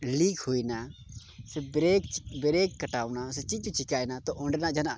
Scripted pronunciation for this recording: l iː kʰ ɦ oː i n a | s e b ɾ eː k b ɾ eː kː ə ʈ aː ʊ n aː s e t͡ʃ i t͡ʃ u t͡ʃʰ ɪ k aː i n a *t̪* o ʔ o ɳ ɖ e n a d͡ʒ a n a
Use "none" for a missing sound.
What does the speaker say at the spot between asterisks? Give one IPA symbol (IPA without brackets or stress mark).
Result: t̪